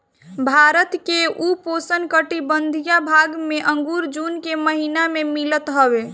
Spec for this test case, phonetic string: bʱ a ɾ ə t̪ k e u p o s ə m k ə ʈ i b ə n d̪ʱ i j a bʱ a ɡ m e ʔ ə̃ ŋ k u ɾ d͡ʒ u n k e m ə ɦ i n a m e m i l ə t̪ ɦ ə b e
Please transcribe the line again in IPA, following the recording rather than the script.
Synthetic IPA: bʱ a ɾ ə t̪ k e u p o s ə n k ə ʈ i b ə n d̪ʱ i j a bʱ a ɡ m e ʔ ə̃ ŋ ɡ u ɾ d͡ʒ u n k e m ə ɦ i n a m e m i l ə t̪ ɦ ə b e